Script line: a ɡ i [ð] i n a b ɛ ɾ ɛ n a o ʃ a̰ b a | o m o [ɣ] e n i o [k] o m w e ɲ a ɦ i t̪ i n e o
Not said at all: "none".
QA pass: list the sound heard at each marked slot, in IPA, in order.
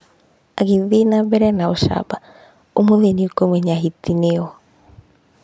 ð, ð, k

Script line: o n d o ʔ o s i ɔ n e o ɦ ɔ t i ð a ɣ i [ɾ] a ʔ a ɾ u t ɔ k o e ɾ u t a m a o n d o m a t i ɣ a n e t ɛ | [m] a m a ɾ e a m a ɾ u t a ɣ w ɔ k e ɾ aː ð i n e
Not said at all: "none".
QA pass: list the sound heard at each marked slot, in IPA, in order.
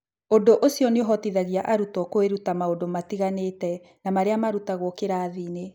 none, n

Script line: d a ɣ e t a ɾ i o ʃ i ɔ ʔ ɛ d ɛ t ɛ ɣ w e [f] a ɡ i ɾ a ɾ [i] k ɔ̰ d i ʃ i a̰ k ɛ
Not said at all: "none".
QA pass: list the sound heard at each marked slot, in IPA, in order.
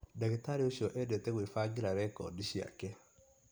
f, ɛ

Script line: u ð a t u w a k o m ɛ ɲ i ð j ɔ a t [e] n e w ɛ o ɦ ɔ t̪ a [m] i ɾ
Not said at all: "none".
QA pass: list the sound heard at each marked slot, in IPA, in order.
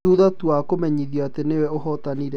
e, n

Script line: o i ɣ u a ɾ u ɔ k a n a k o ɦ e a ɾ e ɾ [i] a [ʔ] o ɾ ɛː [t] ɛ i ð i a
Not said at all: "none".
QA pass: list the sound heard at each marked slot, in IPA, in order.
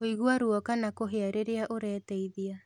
e, ʔ, t

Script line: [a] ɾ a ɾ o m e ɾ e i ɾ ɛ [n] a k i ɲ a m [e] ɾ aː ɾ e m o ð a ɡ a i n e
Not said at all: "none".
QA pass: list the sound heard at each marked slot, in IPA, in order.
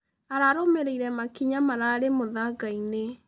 a, m, a

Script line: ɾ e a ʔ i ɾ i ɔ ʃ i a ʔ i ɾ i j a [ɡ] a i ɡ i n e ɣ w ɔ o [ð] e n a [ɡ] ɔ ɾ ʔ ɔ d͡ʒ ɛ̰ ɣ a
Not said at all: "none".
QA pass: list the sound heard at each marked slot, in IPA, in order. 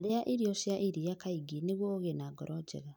k, ɣ, ɡ

